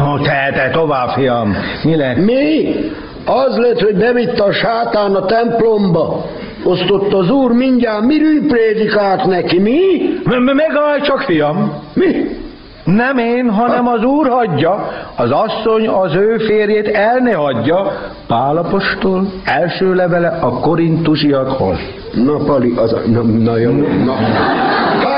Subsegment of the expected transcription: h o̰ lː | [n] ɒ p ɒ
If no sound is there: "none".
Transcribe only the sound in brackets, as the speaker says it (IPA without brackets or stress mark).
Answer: n